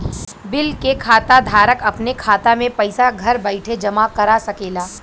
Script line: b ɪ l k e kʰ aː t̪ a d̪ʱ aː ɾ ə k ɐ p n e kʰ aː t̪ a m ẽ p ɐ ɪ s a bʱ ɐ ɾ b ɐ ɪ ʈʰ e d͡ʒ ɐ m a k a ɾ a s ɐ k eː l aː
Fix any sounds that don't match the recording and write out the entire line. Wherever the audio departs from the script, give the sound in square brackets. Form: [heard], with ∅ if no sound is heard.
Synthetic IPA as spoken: b ɪ l k e kʰ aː t̪ a d̪ʱ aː ɾ ə k ɐ p n e kʰ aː t̪ a m ẽ p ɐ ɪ s a [ɡʱ] ɐ ɾ b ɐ ɪ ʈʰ e d͡ʒ ɐ m a k [ɐ] ɾ a s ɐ k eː l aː